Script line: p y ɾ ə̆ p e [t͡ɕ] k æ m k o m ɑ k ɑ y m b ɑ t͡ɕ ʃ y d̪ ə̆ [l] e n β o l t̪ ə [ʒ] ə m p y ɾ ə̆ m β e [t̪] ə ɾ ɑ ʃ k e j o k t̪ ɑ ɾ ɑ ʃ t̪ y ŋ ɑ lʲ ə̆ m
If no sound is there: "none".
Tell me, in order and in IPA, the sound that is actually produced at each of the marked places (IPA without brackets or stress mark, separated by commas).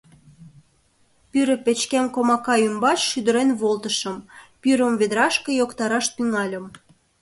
t͡ɕ, ɾ, ʃ, d̪